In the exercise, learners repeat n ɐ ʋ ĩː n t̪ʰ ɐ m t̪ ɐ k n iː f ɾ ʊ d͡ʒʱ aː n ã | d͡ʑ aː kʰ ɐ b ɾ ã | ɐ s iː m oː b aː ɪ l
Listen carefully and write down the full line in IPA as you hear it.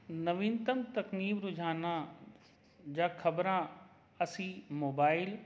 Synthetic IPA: n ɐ ʋ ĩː n t̪ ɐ m t̪ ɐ k n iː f ɾ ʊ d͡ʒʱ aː n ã | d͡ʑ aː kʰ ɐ b ɾ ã | ɐ s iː m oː b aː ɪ l